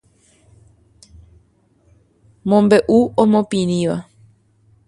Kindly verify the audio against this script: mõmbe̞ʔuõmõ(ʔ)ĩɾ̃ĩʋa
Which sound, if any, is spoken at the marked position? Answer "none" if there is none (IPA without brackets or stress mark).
p